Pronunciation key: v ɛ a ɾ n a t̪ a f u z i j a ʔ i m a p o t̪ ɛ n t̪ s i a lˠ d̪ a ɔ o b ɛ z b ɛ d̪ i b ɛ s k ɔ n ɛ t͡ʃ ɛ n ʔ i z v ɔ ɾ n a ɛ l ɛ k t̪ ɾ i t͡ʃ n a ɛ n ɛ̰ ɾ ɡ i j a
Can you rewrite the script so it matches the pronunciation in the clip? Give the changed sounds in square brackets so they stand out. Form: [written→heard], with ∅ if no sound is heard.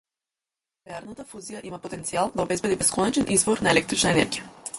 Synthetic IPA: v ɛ a ɾ n a t̪ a f u z i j a ʔ i m a p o t̪ ɛ n t̪ s i a lˠ d̪ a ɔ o b ɛ z b ɛ d̪ i b ɛ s k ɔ n ɛ t͡ʃ ɛ n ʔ i z v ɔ ɾ n a ɛ l ɛ k t̪ ɾ i t͡ʃ n a ɛ n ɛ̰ ɾ ɡ i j a